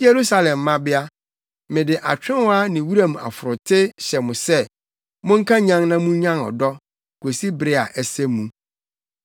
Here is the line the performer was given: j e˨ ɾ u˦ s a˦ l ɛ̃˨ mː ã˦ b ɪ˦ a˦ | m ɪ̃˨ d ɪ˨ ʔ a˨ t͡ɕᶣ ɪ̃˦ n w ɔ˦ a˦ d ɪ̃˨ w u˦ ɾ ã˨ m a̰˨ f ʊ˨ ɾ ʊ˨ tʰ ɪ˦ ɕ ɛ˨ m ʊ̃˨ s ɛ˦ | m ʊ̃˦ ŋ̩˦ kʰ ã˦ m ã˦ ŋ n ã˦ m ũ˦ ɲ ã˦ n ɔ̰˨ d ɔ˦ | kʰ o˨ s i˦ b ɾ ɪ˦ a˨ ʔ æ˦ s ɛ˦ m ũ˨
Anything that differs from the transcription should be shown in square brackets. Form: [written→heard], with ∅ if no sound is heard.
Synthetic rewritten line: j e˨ ɾ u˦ s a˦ l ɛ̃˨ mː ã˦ b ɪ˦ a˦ | m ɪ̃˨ d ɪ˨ ʔ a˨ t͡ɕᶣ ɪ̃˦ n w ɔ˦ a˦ [d→n] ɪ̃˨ w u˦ ɾ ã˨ m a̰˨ f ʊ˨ ɾ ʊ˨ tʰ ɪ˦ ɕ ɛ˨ m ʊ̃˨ s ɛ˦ | m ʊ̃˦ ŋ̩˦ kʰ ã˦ [m→ɲ] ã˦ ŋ n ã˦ m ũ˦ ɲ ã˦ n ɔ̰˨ d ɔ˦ | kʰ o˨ s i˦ b ɾ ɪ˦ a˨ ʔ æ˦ s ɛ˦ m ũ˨